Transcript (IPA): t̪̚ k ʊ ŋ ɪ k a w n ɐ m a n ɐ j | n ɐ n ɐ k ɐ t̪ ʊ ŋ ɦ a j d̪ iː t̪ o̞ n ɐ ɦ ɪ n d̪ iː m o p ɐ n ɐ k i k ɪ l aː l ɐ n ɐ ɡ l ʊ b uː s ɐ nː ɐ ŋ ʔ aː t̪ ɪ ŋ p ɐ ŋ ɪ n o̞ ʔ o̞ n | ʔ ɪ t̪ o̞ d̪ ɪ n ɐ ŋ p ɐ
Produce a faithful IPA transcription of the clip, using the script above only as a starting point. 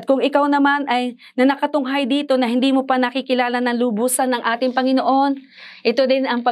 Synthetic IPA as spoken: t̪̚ k ʊ ŋ ɪ k a w n ɐ m a n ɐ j | n ɐ n ɐ k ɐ t̪ ʊ ŋ ɦ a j d̪ iː t̪ o̞ n ɐ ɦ ɪ n d̪ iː m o p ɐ n ɐ k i k ɪ l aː l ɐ n ɐ ŋ l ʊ b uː s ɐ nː ɐ ŋ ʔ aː t̪ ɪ ŋ p ɐ ŋ ɪ n o̞ ʔ o̞ n | ʔ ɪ t̪ o̞ d̪ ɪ n ɐ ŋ p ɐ